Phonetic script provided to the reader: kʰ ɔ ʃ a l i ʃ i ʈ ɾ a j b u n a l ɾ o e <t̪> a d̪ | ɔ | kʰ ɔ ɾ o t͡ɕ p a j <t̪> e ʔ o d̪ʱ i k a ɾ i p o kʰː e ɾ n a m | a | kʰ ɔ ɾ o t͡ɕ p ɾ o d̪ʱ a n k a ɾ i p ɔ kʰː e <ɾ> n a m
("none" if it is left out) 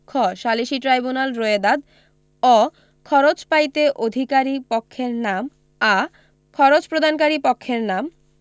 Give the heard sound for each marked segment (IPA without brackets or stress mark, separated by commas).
d̪, t̪, ɾ